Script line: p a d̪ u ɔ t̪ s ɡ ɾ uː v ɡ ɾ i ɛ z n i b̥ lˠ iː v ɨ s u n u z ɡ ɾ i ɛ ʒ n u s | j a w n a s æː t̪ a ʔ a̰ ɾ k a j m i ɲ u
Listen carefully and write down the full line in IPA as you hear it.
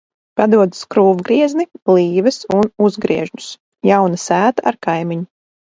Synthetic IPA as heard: p a d̪ u ɔ d̪ s k ɾ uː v ɡ ɾ i ɛ z n i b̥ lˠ iː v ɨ s u n u z ɡ ɾ i ɛ ʒ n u s | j a w n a s æː t̪ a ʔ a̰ ɾ k a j m i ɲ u